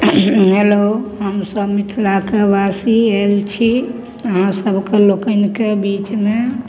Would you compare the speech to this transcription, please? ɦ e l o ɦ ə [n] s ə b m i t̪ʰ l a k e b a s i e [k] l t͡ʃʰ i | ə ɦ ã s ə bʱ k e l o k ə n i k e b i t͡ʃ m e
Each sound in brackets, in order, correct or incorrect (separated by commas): incorrect, incorrect